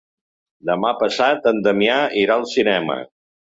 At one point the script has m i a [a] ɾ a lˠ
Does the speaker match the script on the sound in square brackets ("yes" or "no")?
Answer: no